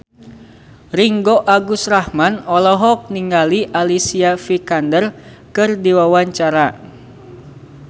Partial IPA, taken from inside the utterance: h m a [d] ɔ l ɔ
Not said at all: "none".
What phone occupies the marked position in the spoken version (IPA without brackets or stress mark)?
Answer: n